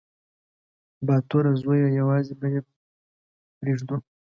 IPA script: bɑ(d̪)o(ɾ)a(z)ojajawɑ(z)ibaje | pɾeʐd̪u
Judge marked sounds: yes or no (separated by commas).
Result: no, yes, yes, yes